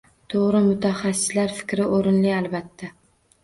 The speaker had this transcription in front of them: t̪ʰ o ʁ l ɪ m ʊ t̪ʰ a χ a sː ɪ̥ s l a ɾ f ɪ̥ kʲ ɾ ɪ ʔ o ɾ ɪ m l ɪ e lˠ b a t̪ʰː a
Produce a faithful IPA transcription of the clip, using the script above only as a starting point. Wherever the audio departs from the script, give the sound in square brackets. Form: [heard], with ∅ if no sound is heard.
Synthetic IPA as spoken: t̪ʰ o ʁ [ɾ] ɪ m ʊ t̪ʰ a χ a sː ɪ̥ s l a ɾ f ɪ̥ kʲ ɾ ɪ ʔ o ɾ ɪ [n] l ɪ [a] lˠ b a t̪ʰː a